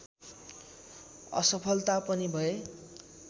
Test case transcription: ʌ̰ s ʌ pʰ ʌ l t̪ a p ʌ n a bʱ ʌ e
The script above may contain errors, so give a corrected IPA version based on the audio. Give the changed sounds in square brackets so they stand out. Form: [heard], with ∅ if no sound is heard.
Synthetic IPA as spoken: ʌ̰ s ʌ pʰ ʌ l t̪ a p ʌ n [i] bʱ ʌ e